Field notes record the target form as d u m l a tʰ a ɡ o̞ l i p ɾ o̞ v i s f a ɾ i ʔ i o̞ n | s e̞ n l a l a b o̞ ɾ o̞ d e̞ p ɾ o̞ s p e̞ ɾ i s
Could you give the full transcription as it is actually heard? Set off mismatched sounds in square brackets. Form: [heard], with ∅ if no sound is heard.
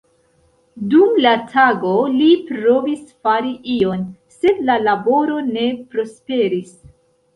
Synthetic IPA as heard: d u m l a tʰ a ɡ o̞ l i p ɾ o̞ v i s f a ɾ i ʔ i o̞ n | s e̞ [d] l a l a b o̞ ɾ o̞ [n] e̞ p ɾ o̞ s p e̞ ɾ i s